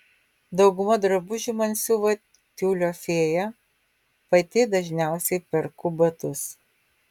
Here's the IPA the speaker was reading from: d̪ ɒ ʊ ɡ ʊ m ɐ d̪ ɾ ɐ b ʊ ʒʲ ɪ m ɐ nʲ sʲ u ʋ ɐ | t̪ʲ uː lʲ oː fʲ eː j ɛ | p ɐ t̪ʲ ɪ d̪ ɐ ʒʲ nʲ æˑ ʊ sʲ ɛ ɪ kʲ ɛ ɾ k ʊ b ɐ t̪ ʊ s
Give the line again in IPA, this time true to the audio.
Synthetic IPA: d̪ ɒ ʊ ɡ ʊ m ɐ d̪ ɾ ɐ b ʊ ʒʲ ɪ m ɐ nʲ sʲ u ʋ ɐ | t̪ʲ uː lʲ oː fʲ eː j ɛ | p ɐ t̪ʲ ɪ d̪ ɐ ʒʲ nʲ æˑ ʊ sʲ ɛ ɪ pʲ ɛ ɾ k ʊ b ɐ t̪ ʊ s